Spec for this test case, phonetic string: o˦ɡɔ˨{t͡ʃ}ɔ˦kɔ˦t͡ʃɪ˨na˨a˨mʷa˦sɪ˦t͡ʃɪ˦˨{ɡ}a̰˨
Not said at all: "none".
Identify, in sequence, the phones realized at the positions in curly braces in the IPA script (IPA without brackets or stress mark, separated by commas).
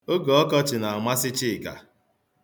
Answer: none, k